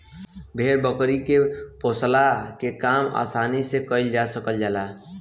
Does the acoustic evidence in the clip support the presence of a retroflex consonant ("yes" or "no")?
no